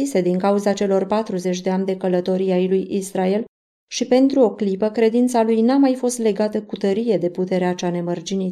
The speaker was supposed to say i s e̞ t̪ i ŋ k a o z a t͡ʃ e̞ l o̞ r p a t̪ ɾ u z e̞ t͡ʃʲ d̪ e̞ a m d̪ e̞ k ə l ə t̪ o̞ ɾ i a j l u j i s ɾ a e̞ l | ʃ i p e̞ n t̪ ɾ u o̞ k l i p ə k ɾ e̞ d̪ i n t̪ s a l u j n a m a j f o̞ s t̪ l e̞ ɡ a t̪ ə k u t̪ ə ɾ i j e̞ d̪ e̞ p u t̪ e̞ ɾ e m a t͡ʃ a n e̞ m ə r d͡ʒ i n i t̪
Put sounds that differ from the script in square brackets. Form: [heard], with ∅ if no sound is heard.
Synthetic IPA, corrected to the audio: i s e̞ [d̪] i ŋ k a [u] z a t͡ʃ e̞ l o̞ r p a t̪ ɾ u z e̞ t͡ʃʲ d̪ e̞ a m d̪ e̞ k ə l ə t̪ o̞ ɾ i a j l u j i s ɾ a e̞ l | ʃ i p e̞ n t̪ ɾ u o̞ k l i p ə k ɾ e̞ d̪ i n t̪ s a l u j n a m a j f o̞ s t̪ l e̞ ɡ a t̪ ə k u t̪ ə ɾ i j e̞ d̪ e̞ p u t̪ e̞ ɾ e [∅] a t͡ʃ a n e̞ m ə r d͡ʒ i n i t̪